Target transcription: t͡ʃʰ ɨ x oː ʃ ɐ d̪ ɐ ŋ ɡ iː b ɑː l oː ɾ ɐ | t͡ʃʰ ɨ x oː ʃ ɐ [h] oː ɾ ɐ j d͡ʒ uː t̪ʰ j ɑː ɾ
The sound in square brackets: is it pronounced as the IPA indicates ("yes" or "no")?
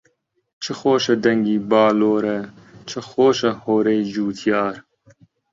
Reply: yes